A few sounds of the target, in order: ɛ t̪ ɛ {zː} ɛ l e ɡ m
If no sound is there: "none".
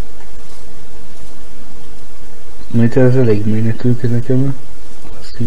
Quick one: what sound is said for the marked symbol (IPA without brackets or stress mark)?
z